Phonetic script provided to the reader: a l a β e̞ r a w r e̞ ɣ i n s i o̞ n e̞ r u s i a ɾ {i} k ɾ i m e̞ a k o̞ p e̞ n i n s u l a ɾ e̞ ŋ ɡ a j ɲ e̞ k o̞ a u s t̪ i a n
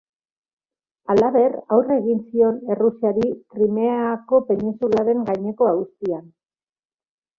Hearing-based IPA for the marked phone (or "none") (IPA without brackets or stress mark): i